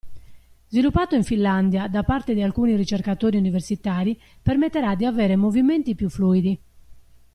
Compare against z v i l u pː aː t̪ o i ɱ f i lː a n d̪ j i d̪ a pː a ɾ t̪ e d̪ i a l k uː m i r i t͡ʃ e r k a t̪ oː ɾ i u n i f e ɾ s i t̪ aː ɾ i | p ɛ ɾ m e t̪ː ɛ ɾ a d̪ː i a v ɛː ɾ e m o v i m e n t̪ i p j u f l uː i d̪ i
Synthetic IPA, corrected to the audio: z v i l u pː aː t̪ o i ɱ f i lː a n d̪ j a d̪ a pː a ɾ t̪ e d̪ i a l k uː n i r i t͡ʃ e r k a t̪ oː ɾ i u n i v e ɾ s i t̪ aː ɾ i | p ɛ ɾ m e t̪ː ɛ ɾ a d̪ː i a v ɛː ɾ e m o v i m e n t̪ i p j u f l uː i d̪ i